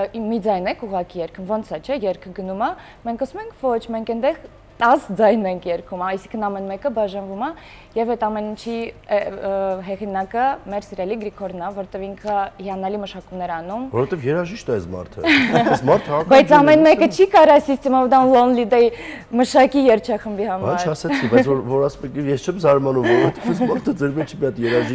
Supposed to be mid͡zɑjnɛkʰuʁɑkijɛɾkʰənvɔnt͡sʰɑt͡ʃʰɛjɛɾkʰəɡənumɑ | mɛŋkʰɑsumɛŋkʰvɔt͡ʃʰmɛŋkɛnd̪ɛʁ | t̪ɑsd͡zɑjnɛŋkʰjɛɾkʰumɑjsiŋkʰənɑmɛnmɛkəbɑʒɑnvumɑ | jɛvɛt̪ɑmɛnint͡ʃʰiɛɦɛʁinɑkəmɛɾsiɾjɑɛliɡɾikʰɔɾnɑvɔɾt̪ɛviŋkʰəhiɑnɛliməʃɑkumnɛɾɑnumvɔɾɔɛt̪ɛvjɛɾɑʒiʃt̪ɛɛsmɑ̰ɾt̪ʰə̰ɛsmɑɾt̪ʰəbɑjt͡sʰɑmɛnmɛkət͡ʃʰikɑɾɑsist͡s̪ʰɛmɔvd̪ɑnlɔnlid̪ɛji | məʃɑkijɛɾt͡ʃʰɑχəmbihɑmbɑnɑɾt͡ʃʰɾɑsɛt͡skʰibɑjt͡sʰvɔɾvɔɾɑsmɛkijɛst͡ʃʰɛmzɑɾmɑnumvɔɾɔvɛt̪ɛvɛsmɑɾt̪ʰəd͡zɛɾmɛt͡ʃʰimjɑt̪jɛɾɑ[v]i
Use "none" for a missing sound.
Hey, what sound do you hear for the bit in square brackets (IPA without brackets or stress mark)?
ʒ